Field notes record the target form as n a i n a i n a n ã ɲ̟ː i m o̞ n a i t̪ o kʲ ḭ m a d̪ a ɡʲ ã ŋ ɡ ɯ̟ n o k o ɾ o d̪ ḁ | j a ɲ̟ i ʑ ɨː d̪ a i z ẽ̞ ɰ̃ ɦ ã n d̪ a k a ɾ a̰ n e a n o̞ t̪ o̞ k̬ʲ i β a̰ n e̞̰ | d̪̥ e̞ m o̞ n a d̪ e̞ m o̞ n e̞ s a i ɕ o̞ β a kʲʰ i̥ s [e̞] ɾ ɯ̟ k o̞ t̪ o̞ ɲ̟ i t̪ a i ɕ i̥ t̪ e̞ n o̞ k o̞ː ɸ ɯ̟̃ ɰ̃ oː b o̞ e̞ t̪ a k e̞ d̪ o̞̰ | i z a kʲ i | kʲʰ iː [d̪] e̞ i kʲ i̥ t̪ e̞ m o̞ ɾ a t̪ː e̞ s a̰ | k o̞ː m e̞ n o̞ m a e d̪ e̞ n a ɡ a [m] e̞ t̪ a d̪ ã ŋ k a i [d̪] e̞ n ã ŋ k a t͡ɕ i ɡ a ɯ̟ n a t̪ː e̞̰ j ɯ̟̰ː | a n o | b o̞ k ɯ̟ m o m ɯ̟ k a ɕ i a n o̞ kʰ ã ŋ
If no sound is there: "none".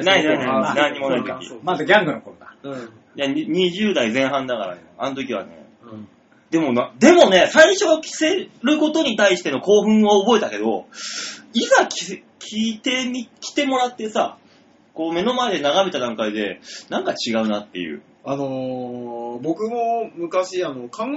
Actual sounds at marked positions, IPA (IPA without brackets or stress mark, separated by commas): e̞, t̪, m, d̪